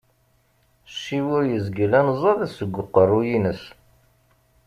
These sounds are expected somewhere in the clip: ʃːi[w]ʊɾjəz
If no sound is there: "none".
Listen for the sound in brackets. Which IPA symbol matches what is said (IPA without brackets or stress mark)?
w